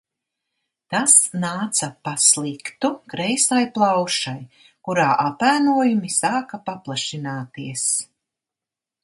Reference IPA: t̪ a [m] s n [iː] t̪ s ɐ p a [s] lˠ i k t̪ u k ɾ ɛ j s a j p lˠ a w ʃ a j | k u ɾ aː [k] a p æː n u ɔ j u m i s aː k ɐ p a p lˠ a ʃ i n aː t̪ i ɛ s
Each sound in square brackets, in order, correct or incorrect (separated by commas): incorrect, incorrect, correct, incorrect